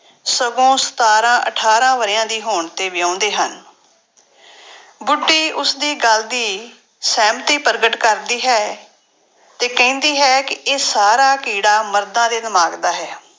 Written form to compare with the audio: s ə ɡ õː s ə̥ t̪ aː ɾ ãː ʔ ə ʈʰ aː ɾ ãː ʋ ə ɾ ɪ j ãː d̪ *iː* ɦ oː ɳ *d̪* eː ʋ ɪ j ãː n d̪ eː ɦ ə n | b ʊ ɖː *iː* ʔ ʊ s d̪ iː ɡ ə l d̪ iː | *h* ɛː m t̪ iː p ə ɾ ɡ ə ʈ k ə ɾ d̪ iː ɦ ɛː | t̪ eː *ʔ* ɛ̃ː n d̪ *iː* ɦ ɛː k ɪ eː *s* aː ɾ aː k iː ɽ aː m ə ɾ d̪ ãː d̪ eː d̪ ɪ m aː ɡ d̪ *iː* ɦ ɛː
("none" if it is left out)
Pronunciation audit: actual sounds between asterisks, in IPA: iː, t̪, iː, s, k, iː, s, aː

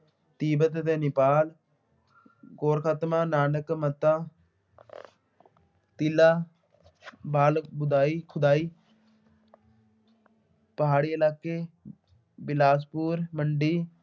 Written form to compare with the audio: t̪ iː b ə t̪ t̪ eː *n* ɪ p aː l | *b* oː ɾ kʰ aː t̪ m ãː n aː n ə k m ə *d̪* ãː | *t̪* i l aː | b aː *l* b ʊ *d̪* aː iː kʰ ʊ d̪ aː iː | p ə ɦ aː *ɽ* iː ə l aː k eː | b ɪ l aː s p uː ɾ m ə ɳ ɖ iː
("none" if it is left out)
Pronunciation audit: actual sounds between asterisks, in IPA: n, ɡ, t̪, t̪, l, d̪, ɽ

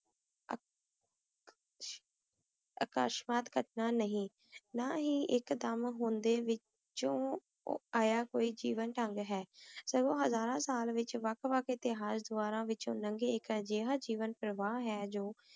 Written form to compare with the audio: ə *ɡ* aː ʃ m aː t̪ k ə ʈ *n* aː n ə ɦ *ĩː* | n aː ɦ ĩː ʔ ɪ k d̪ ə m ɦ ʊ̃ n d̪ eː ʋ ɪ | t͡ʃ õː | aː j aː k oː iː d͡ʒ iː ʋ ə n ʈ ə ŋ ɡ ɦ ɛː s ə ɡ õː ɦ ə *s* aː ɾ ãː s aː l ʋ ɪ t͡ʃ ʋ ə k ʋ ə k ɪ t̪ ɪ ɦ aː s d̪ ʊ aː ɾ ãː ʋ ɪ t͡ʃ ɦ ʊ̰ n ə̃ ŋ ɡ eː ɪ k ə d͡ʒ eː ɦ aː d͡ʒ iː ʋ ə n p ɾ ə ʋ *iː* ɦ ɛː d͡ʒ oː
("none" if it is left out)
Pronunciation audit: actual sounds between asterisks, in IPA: k, n, ĩː, z, aː

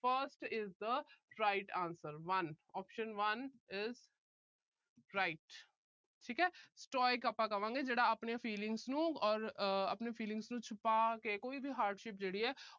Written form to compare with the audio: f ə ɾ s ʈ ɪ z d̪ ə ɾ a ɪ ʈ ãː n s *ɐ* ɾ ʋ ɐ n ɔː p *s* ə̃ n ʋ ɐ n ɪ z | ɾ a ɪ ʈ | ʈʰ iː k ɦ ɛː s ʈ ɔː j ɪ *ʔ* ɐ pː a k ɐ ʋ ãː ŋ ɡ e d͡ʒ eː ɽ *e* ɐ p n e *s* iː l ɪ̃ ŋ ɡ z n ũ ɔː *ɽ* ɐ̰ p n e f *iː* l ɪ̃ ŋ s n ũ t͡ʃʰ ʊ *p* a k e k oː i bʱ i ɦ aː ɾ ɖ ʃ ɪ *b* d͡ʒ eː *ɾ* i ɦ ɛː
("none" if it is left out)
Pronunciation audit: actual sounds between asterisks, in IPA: ə, ʃ, k, a, f, ɾ, iː, p, p, ɽ

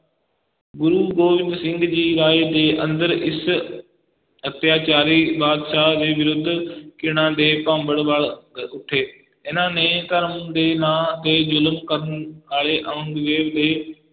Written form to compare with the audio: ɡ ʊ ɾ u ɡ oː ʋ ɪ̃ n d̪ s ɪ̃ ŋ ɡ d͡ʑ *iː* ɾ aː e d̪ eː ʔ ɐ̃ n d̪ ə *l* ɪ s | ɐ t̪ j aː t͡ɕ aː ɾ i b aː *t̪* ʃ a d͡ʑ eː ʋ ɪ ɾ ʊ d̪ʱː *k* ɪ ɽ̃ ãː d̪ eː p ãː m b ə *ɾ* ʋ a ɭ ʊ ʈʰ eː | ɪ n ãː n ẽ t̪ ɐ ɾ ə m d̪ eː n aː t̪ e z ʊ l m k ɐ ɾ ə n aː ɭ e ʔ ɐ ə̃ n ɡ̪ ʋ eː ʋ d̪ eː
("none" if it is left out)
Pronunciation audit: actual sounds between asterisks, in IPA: iː, ɾ, d̪, k, ɽ

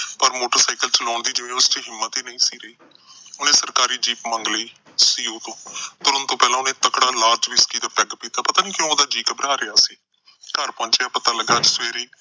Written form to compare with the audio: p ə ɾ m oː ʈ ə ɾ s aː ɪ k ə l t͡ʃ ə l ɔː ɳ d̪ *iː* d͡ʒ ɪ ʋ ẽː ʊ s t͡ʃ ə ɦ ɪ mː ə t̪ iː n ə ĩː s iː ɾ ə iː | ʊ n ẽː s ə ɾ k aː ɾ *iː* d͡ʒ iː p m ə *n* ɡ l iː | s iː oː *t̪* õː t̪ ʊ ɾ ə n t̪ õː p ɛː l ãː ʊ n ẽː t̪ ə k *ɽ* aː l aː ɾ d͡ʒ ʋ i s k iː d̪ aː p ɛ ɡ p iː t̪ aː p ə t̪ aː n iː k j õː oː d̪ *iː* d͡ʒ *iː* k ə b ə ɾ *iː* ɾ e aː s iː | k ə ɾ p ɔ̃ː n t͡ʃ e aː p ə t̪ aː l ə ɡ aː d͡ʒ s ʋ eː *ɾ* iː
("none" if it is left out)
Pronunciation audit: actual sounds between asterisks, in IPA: iː, iː, ŋ, t̪, ɽ, aː, iː, aː, ɾ

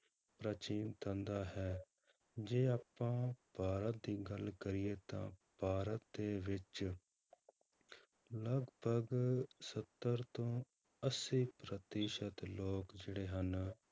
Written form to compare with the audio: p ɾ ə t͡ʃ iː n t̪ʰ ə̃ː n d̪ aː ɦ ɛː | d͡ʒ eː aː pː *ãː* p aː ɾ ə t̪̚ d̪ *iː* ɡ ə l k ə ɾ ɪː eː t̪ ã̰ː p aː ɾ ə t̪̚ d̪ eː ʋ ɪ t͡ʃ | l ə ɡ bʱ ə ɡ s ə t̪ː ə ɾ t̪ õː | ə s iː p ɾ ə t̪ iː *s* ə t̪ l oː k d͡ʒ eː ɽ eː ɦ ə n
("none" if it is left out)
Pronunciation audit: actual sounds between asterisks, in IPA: ãː, iː, ʃ

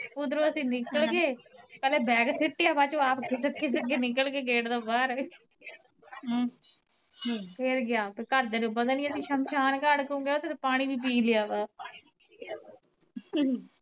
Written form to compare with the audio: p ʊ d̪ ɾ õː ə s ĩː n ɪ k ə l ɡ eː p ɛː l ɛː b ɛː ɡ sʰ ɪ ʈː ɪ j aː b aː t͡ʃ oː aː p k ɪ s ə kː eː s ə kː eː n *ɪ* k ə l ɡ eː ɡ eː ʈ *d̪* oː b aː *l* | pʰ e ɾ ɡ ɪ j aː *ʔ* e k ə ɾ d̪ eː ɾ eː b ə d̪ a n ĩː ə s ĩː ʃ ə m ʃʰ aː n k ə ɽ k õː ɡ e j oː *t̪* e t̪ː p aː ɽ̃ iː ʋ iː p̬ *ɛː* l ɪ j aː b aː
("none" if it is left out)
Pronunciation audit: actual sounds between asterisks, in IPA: ɪ, d̪, ɾ, p, t̪, iː

